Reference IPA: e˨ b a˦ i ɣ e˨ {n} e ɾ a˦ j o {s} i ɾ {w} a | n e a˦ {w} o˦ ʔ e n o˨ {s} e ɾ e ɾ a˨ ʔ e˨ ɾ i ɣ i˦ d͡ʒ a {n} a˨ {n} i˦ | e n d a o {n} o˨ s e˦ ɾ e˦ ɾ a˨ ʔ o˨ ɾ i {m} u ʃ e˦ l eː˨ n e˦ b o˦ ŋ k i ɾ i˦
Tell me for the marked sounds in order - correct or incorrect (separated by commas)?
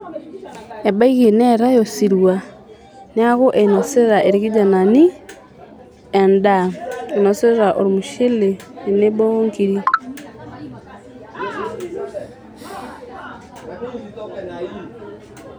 correct, correct, correct, incorrect, correct, correct, correct, correct, correct